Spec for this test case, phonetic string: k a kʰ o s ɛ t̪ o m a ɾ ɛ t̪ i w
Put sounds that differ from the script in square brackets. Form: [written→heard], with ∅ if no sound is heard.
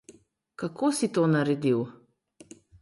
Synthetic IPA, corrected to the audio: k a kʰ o s [ɛ→i] t̪ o [m→n] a ɾ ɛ [t̪→d̪] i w